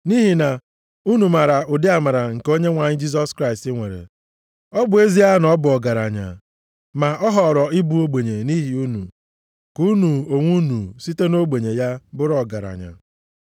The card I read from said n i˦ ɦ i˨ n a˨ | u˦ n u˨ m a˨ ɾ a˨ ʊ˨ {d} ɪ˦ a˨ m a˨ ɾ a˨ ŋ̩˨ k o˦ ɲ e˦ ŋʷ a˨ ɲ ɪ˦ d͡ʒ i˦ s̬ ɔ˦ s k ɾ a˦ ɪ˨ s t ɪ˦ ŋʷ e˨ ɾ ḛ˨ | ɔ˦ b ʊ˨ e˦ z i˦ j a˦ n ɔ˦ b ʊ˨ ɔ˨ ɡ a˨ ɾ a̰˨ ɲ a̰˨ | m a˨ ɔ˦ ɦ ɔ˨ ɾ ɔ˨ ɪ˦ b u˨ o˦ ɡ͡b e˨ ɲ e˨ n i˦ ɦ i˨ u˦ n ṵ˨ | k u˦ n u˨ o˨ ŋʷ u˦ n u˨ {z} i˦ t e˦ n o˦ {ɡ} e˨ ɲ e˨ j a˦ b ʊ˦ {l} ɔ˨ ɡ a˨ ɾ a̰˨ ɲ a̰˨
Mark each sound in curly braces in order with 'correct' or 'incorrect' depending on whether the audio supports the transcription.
correct, incorrect: s, incorrect: ɡ͡b, incorrect: ɾ

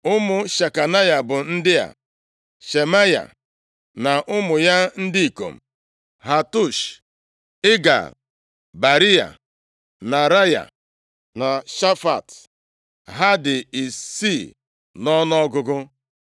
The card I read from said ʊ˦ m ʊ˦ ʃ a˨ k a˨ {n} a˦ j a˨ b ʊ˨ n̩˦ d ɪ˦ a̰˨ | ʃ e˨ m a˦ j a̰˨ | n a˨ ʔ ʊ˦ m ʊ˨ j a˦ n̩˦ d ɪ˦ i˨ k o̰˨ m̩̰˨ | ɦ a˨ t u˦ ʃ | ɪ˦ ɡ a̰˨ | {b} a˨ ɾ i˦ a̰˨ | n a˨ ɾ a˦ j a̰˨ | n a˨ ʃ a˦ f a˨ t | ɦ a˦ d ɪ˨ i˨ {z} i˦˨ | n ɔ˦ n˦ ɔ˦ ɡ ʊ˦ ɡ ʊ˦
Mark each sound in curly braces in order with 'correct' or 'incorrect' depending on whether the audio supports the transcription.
correct, correct, incorrect: s

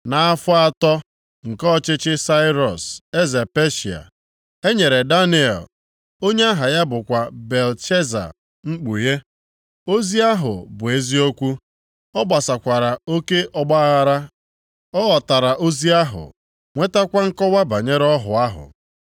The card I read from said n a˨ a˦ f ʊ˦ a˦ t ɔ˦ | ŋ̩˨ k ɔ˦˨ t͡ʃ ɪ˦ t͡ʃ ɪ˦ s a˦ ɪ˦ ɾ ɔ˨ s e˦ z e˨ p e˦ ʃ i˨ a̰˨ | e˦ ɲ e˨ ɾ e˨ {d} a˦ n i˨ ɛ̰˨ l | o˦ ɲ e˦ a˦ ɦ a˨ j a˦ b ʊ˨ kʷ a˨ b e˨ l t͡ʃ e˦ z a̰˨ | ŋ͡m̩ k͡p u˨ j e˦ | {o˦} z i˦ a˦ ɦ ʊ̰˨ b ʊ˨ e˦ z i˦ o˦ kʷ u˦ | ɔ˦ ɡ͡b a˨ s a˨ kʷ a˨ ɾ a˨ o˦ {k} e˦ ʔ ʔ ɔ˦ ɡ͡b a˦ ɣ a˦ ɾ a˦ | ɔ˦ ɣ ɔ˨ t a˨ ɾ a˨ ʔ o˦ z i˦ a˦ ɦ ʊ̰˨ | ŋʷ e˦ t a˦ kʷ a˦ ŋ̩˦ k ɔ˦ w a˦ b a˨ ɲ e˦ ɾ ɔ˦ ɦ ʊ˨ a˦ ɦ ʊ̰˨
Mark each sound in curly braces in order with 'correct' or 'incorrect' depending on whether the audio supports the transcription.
correct, correct, correct

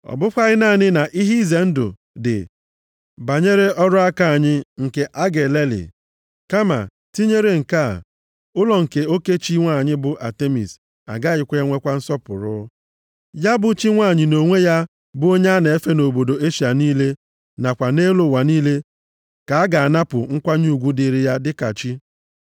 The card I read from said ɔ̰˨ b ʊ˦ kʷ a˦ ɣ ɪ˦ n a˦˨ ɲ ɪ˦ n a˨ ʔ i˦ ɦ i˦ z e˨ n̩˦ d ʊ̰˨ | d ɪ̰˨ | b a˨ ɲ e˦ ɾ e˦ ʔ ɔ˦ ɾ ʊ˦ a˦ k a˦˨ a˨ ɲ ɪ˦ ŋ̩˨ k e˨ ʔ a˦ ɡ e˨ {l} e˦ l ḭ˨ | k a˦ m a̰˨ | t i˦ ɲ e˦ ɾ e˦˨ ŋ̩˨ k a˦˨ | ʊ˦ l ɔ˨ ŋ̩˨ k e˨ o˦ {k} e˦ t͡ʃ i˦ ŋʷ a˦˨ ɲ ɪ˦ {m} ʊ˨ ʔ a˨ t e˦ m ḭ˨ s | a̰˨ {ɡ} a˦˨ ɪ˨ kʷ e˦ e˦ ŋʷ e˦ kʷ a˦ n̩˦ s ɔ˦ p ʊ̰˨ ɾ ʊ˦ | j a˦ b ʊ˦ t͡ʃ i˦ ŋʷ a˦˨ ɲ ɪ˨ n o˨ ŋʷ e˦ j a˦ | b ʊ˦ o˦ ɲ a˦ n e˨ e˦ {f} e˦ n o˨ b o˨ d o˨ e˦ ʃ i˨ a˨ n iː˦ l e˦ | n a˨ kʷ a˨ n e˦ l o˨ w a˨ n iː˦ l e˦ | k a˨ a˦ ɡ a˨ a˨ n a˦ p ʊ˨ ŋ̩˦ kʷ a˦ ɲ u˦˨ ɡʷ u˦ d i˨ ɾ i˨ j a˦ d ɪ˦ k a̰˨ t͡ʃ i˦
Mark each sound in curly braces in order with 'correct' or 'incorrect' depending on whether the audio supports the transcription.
correct, correct, incorrect: b, correct, correct

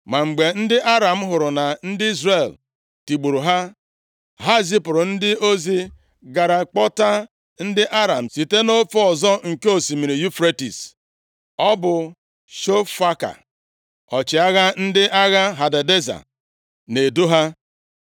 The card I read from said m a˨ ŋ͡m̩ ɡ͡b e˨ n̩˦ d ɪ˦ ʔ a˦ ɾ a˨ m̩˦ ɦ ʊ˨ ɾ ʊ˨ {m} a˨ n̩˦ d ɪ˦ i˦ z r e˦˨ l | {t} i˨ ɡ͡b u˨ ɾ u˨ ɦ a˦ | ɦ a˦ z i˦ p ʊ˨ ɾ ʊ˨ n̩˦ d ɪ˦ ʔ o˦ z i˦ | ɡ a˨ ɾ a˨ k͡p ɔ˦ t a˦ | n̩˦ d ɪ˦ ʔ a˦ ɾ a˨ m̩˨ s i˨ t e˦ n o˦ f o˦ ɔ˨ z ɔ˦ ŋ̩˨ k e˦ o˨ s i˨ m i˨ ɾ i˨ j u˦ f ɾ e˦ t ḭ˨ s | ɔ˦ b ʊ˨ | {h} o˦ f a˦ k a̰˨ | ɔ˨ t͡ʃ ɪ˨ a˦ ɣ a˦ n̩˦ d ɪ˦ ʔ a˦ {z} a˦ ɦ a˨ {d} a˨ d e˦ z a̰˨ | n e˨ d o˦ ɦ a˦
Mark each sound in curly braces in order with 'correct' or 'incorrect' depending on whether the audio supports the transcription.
incorrect: n, correct, incorrect: ʃ, incorrect: ɣ, correct

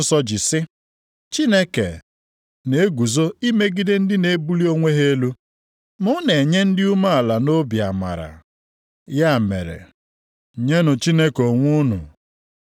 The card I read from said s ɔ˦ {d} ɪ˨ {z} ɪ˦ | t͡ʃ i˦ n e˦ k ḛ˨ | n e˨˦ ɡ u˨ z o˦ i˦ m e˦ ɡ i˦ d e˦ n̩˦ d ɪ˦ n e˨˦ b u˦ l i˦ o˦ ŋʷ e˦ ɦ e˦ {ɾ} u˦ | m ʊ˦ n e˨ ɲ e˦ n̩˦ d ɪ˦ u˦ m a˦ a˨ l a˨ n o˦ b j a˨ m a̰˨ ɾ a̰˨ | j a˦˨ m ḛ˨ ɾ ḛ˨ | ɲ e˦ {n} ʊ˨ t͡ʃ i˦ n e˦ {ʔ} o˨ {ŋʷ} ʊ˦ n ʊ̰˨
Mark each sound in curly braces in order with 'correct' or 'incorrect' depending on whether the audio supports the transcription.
incorrect: d͡ʒ, incorrect: s, incorrect: l, correct, incorrect: k, correct

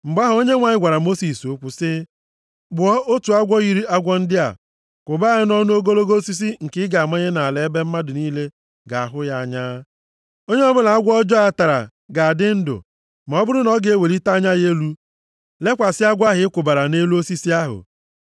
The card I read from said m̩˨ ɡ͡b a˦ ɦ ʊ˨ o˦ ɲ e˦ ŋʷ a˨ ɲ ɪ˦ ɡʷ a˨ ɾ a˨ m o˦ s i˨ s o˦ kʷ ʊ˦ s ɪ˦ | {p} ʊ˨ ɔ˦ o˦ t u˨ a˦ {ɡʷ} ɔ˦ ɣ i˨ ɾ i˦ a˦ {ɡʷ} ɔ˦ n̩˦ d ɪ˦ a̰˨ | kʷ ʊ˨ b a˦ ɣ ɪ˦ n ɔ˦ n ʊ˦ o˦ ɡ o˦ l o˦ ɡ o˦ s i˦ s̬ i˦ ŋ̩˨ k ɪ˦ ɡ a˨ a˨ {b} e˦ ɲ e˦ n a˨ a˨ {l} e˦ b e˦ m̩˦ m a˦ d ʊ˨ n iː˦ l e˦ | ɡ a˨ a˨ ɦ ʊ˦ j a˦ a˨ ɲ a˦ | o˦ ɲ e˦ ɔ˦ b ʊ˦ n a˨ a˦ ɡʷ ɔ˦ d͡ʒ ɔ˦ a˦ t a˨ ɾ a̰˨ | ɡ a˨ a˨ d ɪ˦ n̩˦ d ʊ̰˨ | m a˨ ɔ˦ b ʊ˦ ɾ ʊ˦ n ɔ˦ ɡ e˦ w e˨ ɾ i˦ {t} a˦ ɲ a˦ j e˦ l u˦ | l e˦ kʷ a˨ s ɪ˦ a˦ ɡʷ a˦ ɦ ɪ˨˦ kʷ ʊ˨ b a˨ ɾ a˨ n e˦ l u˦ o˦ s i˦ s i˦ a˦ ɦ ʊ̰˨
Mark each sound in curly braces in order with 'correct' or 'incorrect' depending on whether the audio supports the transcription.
incorrect: b, correct, correct, incorrect: m, correct, correct

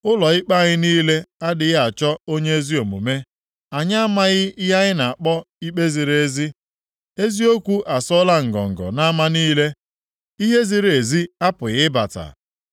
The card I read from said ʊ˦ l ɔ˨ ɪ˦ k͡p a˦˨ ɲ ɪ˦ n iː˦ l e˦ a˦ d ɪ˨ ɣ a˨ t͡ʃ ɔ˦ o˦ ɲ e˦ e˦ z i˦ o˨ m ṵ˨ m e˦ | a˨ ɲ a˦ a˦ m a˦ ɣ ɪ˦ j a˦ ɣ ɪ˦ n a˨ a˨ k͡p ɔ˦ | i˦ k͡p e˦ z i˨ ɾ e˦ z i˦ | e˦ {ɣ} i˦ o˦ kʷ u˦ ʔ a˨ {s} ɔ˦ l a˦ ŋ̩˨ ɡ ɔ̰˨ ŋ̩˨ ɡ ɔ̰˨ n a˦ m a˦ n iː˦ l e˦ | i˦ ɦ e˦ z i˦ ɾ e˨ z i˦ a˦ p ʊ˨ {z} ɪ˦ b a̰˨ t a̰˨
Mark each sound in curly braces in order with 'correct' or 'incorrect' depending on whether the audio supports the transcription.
incorrect: z, correct, incorrect: ɣ

